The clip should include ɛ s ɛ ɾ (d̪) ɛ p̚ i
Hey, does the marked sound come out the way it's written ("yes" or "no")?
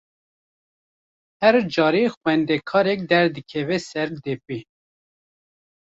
yes